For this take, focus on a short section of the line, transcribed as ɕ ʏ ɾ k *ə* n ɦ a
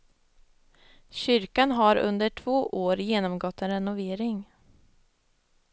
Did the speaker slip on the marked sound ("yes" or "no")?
yes